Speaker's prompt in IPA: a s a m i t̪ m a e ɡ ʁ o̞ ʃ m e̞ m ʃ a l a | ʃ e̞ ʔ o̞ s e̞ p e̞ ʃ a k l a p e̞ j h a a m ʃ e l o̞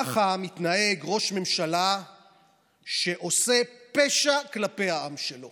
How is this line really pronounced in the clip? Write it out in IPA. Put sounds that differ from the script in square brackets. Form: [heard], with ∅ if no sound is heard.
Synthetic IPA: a [χ] a m i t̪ [n] a e ɡ ʁ o̞ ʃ m e̞ m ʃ a l a | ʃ e̞ ʔ o̞ s e̞ p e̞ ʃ a k l a p e̞ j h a a m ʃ e l o̞